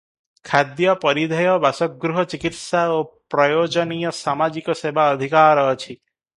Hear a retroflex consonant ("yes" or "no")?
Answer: no